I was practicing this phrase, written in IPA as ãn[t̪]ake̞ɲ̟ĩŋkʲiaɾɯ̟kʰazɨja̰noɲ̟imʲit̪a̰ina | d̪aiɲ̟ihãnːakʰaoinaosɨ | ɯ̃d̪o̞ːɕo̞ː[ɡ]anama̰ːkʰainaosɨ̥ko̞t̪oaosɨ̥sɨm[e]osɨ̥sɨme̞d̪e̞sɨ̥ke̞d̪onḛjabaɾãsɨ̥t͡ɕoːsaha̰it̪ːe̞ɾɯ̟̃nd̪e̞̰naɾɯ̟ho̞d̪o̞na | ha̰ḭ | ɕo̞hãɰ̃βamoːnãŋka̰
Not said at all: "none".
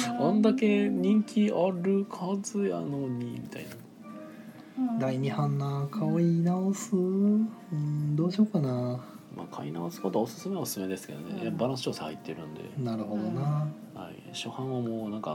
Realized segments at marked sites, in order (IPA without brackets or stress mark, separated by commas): d̪, k, e